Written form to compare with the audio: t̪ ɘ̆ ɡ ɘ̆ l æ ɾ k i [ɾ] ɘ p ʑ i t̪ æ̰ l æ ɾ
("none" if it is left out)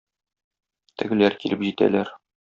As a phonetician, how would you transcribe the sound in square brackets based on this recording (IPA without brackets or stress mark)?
l